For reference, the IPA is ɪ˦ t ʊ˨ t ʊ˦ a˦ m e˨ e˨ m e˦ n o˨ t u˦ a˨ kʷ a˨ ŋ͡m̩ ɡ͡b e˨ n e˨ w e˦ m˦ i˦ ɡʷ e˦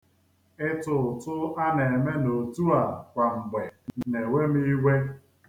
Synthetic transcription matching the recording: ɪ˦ t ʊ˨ t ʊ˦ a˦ n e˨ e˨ m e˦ n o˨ t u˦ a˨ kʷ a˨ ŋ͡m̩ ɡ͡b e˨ n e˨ w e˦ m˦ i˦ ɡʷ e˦